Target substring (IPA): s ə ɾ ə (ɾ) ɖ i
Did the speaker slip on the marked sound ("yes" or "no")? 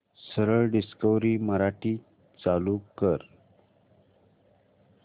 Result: yes